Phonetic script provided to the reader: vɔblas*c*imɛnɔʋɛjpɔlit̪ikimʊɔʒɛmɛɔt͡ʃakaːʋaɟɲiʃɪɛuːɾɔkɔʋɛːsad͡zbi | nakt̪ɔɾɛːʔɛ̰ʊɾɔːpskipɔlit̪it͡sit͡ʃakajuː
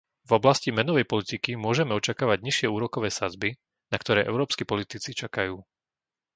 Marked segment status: correct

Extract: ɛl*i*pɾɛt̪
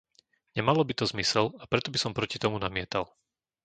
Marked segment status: incorrect: a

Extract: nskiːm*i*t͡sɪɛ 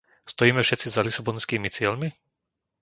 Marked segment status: correct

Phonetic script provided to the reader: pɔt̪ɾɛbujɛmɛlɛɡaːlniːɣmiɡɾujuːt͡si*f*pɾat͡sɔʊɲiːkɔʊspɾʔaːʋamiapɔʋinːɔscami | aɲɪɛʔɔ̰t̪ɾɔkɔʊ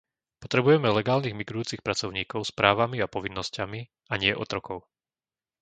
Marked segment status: incorrect: x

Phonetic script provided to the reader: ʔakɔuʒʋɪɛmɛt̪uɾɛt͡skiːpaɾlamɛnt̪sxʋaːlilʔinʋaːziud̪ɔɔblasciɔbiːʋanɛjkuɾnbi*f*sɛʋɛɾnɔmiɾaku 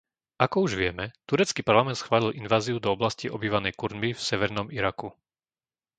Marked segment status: correct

